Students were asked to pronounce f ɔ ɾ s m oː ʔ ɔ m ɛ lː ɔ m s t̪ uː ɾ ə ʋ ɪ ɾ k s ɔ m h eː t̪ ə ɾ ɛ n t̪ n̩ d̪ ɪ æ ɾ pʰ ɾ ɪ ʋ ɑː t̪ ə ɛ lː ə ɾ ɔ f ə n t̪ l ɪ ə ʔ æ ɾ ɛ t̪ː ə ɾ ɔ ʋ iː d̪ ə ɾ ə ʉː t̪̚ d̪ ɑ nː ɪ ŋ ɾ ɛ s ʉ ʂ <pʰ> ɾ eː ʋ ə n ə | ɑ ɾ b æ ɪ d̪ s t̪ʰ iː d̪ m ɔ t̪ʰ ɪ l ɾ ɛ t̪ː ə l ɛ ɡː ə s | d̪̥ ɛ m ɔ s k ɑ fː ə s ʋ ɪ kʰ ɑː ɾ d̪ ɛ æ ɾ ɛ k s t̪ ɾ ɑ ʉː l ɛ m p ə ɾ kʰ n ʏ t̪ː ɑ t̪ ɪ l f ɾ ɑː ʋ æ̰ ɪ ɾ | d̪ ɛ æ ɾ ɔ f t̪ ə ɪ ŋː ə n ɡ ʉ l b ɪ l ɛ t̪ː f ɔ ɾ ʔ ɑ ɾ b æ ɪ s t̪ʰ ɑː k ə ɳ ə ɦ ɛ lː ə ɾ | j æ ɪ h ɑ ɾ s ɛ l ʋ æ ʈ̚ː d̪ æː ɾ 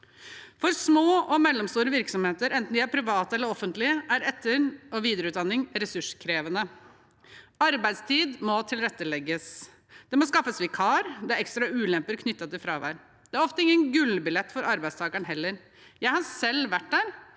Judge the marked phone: incorrect: kʰ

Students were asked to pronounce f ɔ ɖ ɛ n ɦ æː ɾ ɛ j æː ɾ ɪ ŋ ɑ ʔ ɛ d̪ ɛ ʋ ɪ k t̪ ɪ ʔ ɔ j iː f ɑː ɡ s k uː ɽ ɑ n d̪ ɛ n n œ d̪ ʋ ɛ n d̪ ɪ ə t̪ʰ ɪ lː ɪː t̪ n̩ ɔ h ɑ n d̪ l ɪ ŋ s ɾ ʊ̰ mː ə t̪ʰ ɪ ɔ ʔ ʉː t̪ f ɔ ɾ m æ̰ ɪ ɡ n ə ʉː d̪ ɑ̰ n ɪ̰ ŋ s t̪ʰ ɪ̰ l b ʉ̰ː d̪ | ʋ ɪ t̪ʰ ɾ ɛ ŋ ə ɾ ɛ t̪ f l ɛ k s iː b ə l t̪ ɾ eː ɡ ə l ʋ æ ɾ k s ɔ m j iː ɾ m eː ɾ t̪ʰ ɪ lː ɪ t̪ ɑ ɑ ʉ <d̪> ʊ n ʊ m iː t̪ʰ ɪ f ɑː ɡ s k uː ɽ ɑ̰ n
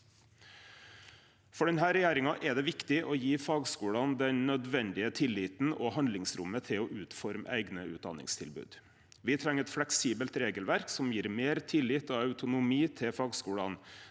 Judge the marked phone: incorrect: t̪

